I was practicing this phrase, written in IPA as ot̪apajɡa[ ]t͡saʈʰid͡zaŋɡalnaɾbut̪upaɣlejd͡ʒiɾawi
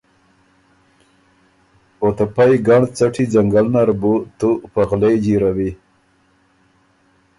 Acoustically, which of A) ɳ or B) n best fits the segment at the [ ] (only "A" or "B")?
A